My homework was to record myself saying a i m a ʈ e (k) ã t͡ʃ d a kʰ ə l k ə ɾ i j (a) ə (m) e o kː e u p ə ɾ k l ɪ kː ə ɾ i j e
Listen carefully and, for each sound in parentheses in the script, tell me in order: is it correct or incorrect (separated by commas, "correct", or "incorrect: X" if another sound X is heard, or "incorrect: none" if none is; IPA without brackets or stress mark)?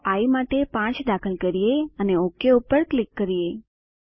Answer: incorrect: p, incorrect: e, incorrect: n